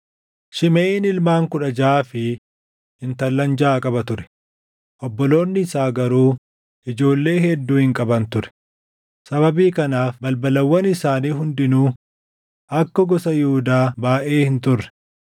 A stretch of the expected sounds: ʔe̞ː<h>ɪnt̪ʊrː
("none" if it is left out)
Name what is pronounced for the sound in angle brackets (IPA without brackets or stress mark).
h